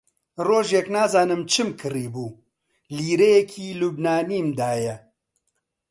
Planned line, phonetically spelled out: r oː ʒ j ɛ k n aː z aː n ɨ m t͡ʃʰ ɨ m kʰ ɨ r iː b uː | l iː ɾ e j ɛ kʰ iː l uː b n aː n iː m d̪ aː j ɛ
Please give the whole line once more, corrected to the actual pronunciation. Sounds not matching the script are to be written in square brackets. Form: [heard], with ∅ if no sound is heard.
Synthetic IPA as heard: r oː ʒ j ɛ k n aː z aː n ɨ m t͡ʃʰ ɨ m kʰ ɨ r iː b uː | l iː ɾ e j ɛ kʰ iː l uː b n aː n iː m d̪ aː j ɛ